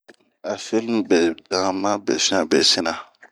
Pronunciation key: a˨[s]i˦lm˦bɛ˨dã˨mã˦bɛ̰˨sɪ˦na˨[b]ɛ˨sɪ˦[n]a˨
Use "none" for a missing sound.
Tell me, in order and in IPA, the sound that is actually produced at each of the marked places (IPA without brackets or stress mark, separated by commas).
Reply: f, b, n